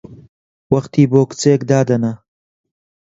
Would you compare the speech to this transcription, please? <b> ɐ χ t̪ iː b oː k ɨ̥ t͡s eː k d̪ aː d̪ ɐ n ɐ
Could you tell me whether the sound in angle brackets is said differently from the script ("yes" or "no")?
yes